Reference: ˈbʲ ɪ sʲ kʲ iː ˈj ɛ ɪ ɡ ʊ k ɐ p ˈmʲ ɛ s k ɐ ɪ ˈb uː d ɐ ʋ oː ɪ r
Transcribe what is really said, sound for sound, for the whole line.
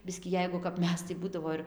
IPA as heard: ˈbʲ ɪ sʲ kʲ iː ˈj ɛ ɪ ɡ ʊ k ɐ p ˈmʲ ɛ s t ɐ ɪ ˈb uː d ɐ ʋ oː ɪ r